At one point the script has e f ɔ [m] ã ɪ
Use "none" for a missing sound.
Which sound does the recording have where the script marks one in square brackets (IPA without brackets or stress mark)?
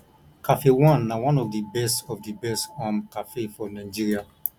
n